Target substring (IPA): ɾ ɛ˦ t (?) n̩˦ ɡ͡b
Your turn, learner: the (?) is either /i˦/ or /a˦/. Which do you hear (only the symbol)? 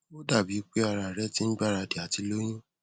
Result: i˦